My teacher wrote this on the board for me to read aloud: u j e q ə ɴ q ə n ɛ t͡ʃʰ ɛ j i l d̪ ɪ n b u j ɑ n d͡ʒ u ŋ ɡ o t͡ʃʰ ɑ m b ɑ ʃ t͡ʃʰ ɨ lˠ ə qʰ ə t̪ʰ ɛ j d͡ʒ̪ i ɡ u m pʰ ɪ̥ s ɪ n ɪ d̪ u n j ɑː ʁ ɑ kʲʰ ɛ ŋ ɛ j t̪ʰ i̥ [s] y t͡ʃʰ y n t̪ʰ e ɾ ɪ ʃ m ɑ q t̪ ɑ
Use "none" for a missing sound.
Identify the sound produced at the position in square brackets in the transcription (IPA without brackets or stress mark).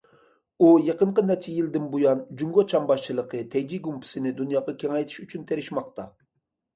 ʃ